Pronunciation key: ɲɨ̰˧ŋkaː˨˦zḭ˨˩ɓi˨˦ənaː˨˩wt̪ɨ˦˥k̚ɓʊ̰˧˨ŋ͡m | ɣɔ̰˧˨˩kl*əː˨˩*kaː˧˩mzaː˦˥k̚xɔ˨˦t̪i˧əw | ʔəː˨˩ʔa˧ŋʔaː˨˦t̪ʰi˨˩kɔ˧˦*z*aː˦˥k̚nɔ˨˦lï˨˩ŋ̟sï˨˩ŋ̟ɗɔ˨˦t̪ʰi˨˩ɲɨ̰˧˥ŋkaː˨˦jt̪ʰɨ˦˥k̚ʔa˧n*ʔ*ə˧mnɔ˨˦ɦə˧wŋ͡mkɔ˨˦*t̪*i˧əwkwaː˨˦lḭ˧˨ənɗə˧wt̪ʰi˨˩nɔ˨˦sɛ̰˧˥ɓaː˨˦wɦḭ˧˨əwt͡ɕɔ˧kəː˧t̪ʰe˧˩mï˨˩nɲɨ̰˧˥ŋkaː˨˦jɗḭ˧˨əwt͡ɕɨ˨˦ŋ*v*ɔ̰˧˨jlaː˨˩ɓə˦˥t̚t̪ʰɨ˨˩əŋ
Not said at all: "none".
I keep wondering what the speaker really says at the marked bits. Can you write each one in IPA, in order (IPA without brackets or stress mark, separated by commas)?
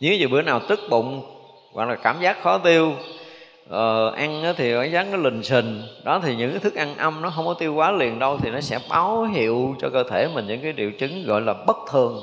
aː˨˩, z, ʔ, t̪, ɣ